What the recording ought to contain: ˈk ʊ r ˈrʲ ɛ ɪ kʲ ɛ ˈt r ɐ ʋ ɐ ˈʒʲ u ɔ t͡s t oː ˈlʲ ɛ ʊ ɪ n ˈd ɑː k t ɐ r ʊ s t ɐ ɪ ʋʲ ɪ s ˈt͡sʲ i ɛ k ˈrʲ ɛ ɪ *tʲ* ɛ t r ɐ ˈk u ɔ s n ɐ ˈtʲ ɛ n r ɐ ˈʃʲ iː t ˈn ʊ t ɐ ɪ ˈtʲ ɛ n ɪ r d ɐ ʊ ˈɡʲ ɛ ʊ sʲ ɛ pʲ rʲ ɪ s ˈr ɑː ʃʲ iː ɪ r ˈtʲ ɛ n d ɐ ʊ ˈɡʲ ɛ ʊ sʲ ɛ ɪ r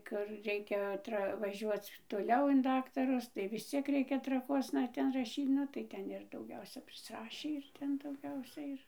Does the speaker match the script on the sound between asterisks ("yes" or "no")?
no